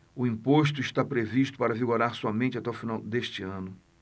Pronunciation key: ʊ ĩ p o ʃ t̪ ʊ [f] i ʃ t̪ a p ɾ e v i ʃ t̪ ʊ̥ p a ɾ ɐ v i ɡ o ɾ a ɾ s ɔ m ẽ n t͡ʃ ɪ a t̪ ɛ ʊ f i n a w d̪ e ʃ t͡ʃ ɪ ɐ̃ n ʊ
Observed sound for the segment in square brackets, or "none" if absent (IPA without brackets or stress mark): none